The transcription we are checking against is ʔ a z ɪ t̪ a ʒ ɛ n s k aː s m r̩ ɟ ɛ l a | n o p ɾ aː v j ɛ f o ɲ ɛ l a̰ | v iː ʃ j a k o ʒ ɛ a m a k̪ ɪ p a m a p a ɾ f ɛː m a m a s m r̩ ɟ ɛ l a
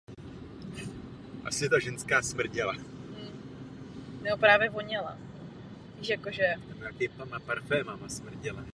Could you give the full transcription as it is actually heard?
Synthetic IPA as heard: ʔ a s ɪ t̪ a ʒ ɛ n s k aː s m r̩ ɟ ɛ l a | n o p ɾ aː v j ɛ v o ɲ ɛ l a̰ | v iː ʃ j a k o ʒ ɛ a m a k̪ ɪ p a m a p a ɾ f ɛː m a m a s m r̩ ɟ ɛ l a